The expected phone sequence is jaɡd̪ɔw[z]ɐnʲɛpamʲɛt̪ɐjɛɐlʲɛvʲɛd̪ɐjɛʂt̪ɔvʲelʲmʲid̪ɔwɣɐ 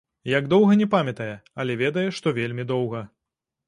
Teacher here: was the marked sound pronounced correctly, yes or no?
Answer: no